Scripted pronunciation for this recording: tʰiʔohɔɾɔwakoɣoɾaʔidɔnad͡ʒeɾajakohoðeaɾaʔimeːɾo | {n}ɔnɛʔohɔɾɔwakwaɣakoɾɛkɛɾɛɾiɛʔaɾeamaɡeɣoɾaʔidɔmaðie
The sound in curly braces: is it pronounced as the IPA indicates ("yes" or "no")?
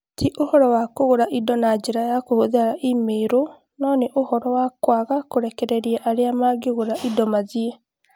yes